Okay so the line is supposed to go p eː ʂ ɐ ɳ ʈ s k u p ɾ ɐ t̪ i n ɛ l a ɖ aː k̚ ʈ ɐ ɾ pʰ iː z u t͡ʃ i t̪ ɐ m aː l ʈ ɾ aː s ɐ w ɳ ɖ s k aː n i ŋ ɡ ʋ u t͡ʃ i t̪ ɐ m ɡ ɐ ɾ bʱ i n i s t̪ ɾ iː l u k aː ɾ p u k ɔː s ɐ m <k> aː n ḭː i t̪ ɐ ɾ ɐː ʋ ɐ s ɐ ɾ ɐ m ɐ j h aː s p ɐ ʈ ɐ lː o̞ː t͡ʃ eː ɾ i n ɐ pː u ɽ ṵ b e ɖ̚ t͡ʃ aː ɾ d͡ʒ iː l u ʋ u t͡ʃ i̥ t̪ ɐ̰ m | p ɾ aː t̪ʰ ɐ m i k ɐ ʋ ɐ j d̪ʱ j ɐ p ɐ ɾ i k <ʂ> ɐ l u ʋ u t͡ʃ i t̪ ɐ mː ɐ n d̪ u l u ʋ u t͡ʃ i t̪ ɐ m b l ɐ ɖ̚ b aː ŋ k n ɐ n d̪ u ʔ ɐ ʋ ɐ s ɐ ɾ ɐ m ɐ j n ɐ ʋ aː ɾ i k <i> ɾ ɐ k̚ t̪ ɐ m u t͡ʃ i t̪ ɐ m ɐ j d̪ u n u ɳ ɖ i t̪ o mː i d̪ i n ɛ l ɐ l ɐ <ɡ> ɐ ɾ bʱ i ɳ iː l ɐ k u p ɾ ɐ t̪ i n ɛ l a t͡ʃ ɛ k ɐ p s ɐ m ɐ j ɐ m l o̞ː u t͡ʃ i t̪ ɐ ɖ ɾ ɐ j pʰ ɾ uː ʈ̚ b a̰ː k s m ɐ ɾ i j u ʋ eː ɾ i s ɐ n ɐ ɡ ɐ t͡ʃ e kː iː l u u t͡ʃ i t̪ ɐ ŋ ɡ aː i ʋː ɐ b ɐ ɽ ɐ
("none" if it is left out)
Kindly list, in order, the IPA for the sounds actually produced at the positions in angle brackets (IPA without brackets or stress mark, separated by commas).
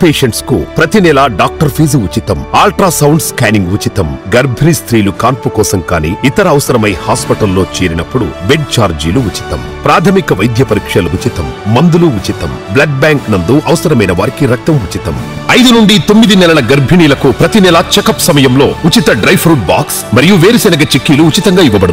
k, ʂ, i, ɡ